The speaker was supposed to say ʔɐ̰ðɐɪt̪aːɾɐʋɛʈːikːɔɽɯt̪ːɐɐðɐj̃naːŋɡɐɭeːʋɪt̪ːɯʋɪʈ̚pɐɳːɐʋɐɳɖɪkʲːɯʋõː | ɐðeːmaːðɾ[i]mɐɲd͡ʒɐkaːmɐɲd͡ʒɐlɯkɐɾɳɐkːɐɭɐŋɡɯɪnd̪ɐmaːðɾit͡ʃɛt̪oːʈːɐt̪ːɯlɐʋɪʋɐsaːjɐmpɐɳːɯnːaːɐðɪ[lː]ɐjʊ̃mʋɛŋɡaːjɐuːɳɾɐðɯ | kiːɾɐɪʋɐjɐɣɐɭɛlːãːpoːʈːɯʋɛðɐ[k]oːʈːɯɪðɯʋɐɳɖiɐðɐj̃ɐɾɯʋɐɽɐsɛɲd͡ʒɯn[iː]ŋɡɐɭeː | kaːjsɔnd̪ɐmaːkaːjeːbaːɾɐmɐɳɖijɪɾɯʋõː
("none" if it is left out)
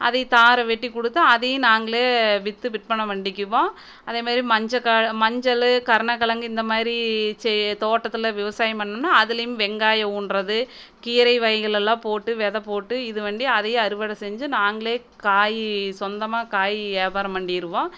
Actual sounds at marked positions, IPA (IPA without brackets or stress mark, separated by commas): i, l, p, aː